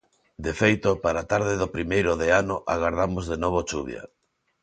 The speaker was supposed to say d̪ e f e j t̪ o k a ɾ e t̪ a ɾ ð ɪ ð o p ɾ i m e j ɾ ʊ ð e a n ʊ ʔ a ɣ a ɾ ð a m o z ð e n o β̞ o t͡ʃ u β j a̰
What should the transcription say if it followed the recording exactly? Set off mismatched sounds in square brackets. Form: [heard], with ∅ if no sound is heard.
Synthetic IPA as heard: d̪ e f e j t̪ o [p] a ɾ [a] t̪ a ɾ ð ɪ ð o p ɾ i m e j ɾ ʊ ð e a n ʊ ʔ a ɣ a ɾ ð a m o z ð e n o β̞ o t͡ʃ u β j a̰